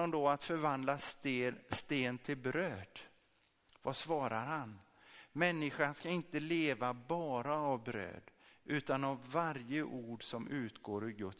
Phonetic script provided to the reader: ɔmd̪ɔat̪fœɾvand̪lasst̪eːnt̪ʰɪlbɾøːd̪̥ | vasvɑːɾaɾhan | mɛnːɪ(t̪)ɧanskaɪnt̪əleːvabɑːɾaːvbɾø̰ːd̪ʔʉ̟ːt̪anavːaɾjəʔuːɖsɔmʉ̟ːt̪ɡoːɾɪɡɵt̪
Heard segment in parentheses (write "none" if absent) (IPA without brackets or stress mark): none